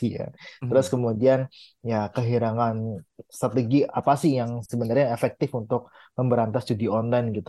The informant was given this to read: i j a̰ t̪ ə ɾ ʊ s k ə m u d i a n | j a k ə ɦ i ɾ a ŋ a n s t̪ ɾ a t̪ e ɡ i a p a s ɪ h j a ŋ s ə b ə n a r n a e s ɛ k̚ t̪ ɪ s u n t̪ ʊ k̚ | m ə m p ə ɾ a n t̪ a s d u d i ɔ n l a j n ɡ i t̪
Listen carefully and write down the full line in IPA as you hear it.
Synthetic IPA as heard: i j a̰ t̪ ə ɾ ʊ s k ə m u d i a n | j a k ə ɦ i ɾ a ŋ a n s t̪ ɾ a t̪ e ɡ i a p a s ɪ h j a ŋ s ə b ə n a r ɲ a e f ɛ k̚ t̪ ɪ f u n t̪ ʊ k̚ | m ə m b ə ɾ a n t̪ a s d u d i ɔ n l a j n ɡ i t̪